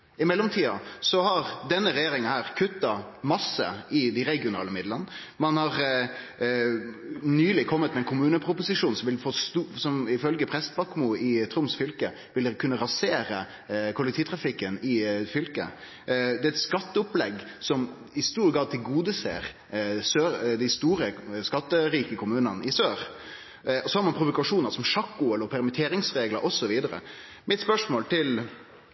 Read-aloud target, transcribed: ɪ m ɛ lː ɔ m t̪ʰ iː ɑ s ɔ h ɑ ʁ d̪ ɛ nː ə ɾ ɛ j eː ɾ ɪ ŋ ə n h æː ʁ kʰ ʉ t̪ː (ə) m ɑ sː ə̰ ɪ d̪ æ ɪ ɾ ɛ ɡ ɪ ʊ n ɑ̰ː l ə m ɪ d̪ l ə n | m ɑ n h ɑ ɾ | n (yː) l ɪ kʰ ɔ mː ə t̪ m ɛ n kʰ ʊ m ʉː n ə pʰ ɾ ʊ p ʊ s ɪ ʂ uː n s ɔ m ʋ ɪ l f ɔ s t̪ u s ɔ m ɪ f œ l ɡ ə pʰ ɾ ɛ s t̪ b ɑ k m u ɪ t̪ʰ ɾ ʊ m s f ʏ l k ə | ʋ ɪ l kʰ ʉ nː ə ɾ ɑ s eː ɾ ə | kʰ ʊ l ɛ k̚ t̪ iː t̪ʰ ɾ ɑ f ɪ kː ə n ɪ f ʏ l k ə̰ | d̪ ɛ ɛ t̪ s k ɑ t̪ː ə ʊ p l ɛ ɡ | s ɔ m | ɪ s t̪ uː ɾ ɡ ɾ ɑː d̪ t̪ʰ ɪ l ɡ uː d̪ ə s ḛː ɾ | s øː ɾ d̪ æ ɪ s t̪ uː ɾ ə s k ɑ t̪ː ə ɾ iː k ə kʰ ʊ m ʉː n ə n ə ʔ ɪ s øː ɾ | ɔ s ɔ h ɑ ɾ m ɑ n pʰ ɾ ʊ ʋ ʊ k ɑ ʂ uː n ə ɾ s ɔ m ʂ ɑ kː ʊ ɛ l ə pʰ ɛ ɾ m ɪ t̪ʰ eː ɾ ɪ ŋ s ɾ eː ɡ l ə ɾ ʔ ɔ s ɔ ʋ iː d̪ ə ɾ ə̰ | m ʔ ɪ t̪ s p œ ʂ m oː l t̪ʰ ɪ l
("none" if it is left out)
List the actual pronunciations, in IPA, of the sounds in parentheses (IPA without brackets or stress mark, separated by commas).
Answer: ɑ, yː